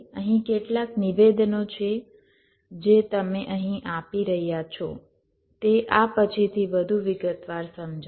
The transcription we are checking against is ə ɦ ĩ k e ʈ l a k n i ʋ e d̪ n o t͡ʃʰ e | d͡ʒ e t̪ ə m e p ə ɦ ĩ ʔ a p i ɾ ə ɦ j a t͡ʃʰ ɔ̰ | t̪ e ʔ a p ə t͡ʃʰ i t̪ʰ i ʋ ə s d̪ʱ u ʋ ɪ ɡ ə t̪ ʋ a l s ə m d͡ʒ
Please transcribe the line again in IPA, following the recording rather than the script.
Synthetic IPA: ə ɦ ĩ k e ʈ l a k n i ʋ e d̪ n o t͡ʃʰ e | d͡ʒ e t̪ ə m e ʔ ə ɦ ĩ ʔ a p i ɾ ə ɦ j a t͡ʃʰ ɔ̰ | t̪ e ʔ a p ə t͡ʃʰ i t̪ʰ i ʋ ə d̪ʱ u ʋ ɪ ɡ ə t̪ ʋ a ɾ s ə m d͡ʒ